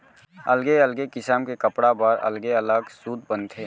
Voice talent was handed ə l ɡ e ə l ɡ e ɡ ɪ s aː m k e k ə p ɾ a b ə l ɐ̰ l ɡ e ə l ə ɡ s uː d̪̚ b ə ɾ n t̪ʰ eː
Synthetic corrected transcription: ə l ɡ e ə l ɡ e k ɪ s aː m k e k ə p ɽ a b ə ɾ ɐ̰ l ɡ e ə l ə ɡ s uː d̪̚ b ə n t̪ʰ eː